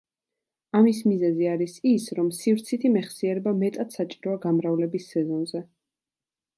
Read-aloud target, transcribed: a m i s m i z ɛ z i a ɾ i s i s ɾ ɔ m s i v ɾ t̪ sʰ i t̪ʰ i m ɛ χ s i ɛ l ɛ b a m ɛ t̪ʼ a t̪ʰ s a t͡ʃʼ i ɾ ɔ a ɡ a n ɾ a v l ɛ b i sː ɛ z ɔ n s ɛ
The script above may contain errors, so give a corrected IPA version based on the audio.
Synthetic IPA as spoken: a m i s m i z ɛ z i a ɾ i s i s ɾ ɔ m s i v ɾ t̪ sʰ i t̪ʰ i m ɛ χ s i ɛ ɾ ɛ b a m ɛ t̪ʼ a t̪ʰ s a t͡ʃʼ i ɾ ɔ a ɡ a m ɾ a v l ɛ b i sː ɛ z ɔ n z ɛ